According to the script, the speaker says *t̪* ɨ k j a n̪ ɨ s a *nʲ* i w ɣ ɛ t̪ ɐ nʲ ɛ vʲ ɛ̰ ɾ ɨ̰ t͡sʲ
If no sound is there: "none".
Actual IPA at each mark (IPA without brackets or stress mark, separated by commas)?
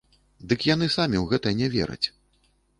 d̪, mʲ